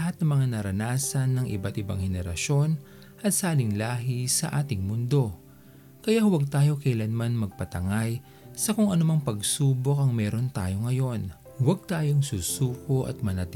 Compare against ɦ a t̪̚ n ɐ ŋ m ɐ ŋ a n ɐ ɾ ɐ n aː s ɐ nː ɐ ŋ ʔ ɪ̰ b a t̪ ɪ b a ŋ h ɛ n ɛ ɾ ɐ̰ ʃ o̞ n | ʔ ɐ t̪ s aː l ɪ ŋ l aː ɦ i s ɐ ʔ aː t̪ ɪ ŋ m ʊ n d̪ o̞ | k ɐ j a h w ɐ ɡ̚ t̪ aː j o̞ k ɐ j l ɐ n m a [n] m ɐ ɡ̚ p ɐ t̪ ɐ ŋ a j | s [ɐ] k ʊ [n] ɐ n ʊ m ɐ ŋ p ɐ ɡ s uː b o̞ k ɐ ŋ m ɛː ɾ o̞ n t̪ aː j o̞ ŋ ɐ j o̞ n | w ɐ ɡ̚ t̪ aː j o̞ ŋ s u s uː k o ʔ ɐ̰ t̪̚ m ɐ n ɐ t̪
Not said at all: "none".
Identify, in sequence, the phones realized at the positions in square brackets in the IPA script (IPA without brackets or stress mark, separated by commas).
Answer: n, ɐ, ŋ